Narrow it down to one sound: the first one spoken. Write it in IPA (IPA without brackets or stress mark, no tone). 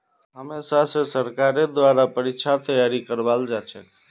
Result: ɦ